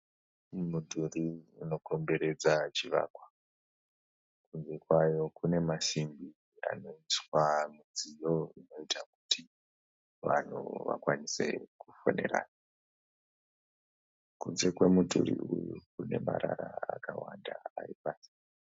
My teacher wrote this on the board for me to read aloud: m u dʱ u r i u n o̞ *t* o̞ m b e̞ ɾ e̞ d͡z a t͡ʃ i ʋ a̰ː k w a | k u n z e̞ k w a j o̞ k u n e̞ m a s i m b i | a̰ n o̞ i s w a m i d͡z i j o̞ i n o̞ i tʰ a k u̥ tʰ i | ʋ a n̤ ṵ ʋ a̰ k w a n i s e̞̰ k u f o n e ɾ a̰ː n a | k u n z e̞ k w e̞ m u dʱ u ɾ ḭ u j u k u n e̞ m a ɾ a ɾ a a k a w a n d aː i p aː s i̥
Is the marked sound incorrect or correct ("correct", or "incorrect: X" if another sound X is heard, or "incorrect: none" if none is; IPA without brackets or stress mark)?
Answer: incorrect: k